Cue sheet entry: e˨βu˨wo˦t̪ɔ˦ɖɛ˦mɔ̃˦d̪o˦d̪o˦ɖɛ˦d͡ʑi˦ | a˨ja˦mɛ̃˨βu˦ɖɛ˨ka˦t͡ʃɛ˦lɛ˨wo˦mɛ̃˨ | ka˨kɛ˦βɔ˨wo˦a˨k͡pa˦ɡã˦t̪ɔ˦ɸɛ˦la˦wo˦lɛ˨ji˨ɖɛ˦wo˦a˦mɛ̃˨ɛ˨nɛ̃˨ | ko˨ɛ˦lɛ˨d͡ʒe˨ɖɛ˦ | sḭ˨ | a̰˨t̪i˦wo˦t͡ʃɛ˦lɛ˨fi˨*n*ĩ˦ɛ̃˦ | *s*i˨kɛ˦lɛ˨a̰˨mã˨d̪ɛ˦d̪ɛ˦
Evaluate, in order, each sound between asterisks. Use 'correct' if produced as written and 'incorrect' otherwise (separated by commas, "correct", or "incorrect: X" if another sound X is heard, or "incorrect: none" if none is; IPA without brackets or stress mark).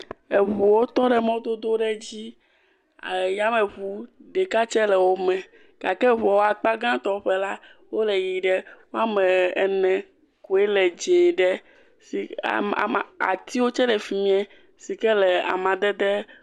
incorrect: m, correct